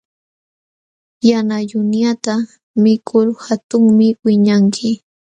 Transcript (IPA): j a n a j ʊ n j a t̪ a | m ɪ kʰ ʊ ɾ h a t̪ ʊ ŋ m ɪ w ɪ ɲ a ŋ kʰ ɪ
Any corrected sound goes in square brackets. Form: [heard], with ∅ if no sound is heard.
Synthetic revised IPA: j a n a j ʊ n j a t̪ a | m ɪ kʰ ʊ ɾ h a t̪ ʊ ŋ m ɪ w ɪ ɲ a ŋ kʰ ɪ

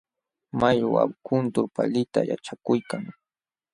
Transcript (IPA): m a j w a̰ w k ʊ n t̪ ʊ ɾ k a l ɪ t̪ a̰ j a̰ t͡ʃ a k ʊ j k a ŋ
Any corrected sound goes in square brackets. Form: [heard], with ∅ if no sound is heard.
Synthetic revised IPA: m a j w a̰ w k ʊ n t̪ ʊ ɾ [p] a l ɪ t̪ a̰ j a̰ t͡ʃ a k ʊ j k a ŋ

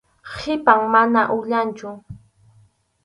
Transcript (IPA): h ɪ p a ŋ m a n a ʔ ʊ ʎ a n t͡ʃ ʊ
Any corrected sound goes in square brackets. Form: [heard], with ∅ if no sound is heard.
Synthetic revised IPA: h ɪ p a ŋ m a n a ʔ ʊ ʎ a n t͡ʃ ʊ

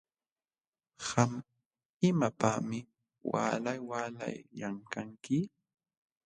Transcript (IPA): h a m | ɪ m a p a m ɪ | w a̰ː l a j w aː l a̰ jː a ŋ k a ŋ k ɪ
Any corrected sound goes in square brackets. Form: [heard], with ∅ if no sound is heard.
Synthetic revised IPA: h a m | ɪ m a p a m ɪ | w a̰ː l a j w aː l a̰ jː a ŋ k a ŋ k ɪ

